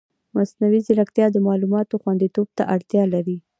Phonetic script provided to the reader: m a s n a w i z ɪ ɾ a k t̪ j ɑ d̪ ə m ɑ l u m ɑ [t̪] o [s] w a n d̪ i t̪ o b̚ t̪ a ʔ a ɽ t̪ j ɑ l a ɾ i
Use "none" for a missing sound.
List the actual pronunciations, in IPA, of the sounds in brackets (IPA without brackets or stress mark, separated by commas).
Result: t̪, x